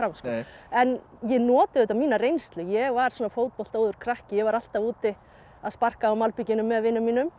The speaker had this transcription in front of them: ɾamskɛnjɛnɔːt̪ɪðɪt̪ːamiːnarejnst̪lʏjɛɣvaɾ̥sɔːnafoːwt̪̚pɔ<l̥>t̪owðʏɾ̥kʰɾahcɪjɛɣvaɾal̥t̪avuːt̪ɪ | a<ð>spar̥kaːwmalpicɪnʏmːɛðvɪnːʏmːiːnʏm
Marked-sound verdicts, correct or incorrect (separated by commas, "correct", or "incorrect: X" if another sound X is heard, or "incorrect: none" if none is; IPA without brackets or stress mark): correct, correct